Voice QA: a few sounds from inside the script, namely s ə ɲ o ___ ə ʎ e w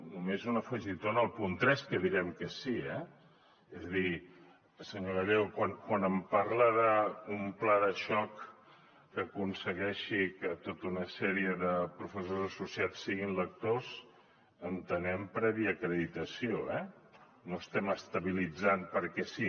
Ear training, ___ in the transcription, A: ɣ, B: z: A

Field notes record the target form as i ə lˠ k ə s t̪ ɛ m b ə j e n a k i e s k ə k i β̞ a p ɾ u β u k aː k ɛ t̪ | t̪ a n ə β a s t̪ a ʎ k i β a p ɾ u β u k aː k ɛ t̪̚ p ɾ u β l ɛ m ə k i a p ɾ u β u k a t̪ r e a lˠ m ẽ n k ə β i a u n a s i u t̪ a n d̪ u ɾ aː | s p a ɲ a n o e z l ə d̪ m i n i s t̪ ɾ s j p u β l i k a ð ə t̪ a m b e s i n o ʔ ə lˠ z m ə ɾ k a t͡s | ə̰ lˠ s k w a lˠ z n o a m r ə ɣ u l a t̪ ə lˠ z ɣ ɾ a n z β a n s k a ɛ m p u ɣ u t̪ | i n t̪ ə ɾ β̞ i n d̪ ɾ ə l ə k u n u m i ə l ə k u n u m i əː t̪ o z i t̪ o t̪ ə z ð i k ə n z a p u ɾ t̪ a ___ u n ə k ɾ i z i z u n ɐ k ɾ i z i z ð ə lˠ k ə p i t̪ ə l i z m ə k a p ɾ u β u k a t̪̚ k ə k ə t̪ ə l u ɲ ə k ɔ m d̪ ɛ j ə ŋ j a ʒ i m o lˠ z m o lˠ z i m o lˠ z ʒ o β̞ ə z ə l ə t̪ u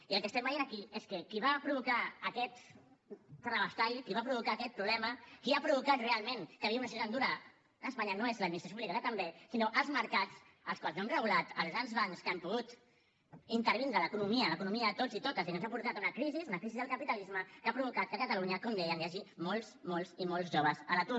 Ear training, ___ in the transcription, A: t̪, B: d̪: A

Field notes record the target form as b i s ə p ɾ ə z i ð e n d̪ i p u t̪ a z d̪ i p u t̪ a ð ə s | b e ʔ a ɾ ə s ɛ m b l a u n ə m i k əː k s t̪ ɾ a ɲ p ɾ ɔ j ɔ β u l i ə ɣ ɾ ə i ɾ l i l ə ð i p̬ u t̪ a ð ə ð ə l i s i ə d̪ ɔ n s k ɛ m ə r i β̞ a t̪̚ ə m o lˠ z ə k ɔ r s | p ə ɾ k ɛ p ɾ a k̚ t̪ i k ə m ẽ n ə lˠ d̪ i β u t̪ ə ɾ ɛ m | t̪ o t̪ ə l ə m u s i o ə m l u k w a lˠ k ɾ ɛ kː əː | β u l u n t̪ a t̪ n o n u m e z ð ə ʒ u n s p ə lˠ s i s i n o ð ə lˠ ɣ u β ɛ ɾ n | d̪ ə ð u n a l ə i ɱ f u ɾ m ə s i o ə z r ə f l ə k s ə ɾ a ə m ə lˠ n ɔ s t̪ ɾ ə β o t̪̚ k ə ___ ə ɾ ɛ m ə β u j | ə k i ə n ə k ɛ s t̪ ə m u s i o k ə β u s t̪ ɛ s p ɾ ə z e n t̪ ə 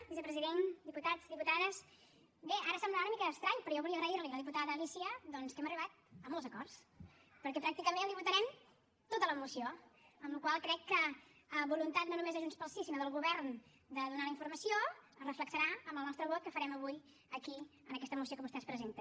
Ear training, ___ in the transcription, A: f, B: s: A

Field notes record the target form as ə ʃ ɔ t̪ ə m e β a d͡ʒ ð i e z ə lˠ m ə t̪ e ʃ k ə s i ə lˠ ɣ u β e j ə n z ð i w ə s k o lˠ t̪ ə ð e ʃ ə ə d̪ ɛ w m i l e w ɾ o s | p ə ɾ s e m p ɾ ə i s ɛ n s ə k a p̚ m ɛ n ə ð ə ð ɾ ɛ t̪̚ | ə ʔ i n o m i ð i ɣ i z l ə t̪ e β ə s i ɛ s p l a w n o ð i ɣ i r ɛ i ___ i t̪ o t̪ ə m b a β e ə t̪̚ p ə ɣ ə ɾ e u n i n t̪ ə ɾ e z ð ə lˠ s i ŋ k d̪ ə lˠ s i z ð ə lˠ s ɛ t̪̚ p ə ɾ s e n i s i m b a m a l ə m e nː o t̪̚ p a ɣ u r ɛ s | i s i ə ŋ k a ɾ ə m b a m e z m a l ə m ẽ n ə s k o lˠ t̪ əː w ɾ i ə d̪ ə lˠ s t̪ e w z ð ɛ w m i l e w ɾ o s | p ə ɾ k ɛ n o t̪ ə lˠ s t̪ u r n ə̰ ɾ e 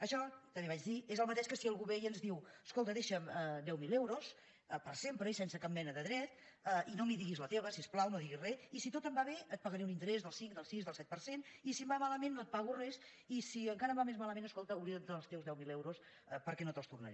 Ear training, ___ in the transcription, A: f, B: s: B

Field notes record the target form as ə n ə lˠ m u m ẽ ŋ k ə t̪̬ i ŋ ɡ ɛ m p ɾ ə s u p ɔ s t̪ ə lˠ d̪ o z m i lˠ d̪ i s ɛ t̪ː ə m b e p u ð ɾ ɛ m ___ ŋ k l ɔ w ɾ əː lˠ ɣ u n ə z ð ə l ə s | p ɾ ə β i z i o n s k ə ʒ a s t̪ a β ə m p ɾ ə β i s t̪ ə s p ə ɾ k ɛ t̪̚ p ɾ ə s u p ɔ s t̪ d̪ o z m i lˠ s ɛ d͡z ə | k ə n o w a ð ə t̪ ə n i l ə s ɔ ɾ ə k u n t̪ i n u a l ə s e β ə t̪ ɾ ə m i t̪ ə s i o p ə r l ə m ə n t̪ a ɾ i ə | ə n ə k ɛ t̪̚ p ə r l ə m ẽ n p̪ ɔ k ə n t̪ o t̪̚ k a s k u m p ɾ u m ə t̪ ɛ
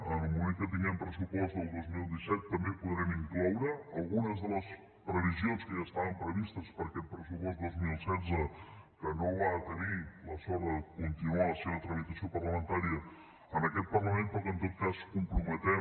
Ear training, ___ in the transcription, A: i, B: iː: A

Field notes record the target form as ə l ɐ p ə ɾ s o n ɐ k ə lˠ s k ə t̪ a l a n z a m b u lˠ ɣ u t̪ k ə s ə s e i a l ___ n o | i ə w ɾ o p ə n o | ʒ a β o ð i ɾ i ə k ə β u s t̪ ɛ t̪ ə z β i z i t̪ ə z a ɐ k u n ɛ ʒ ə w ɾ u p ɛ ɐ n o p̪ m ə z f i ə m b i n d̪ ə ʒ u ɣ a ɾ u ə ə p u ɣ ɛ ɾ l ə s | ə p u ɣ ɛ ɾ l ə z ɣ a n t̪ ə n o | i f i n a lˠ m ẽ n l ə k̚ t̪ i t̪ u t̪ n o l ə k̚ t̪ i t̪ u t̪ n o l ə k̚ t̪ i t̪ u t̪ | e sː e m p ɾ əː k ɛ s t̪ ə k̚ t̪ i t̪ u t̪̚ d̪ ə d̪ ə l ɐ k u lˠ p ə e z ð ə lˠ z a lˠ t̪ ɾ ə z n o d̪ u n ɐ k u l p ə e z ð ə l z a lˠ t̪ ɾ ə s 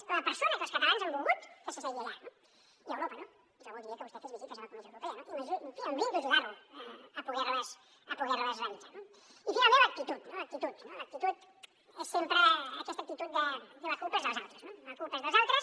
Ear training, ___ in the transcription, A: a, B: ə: A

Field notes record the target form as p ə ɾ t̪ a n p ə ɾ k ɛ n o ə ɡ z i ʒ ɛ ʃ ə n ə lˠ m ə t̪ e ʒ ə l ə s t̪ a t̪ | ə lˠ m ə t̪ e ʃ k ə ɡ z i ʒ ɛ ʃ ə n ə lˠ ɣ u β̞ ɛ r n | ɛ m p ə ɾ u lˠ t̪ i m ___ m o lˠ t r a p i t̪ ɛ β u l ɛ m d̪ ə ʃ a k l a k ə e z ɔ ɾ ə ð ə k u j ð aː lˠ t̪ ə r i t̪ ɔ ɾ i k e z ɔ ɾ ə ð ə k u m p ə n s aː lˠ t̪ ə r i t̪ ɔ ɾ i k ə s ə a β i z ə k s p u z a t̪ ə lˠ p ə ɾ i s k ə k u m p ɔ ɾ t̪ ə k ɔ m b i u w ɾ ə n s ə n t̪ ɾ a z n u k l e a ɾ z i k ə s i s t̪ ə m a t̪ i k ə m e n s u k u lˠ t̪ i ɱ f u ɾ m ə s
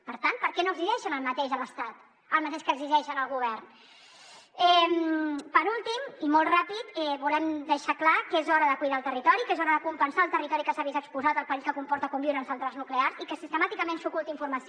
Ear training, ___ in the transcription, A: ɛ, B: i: B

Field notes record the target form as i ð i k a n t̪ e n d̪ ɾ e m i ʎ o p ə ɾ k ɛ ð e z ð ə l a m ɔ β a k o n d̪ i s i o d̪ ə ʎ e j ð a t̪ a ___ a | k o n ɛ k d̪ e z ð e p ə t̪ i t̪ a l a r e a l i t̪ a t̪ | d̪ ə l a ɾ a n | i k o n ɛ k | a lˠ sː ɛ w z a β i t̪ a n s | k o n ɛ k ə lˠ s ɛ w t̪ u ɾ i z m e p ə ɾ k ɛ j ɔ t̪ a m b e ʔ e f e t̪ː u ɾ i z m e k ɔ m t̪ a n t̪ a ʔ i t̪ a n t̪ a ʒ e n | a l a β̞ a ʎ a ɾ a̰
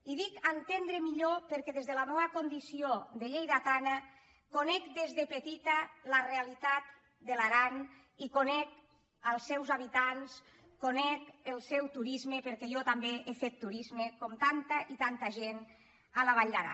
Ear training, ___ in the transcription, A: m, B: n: B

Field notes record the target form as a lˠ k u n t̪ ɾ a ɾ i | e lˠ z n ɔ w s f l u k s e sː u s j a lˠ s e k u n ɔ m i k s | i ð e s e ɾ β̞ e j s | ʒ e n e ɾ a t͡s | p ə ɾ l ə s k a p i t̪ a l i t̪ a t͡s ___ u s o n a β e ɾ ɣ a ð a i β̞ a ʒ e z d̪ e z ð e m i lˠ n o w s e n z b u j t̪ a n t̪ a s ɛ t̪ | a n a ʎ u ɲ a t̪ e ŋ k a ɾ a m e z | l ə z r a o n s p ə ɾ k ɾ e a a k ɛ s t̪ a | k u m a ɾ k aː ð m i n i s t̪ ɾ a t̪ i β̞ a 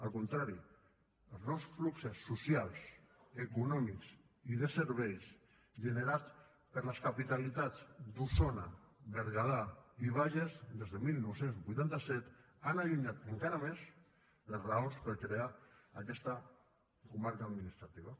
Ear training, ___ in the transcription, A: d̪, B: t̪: A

